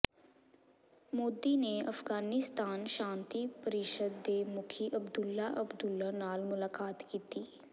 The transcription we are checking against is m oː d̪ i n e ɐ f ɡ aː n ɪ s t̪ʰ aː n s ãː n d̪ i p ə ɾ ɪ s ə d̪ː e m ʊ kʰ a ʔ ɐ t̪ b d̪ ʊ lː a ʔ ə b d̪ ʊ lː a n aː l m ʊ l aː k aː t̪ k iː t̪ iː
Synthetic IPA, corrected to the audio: m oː d̪ i n e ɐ f ɡ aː n ɪ s t̪ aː n ʃ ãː n t̪ i p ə ɾ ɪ ʃ ə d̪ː e m ʊ kʰ i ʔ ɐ b d̪ ʊ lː a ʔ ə b d̪ ʊ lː a n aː l m ʊ l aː k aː t̪ k iː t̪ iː